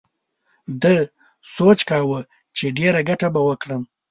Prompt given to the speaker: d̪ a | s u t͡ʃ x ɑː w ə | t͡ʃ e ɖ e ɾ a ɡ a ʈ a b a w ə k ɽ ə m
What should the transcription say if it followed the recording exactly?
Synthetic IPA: d̪ ə | s o t͡ʃ k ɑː w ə | t͡ʃ e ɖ e ɾ a ɡ a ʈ a b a w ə k ɽ ə m